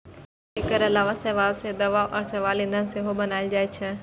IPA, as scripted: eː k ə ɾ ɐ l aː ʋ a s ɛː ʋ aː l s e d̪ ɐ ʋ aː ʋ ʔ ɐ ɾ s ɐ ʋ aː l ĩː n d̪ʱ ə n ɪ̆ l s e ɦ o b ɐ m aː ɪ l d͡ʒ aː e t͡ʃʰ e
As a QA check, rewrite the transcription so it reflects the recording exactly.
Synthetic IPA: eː k ə ɾ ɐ l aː ʋ a s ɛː ʋ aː l s e d̪ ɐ ʋ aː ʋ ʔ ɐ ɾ s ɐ ʋ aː l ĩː n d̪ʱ ə n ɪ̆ s e ɦ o b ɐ n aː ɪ l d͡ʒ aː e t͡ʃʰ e